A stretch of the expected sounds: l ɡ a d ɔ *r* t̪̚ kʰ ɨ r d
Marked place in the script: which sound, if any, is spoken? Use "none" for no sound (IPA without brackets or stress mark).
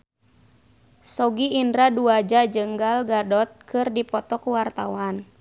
none